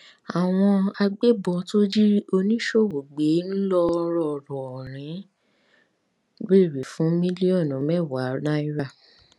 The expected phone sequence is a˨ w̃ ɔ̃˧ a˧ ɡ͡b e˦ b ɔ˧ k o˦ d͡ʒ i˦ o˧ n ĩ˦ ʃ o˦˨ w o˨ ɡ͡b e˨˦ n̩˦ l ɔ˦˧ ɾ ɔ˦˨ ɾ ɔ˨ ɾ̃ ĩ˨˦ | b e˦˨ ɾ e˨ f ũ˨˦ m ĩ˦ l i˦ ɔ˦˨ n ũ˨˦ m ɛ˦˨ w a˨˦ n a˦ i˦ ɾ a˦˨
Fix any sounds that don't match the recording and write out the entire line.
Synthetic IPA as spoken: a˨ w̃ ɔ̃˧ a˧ ɡ͡b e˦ b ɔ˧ t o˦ d͡ʒ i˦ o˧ n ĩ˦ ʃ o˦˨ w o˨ ɡ͡b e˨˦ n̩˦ l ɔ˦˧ ɾ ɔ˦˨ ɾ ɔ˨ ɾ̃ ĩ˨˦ | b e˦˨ ɾ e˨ f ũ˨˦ m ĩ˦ l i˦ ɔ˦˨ n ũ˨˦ m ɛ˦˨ w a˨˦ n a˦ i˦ ɾ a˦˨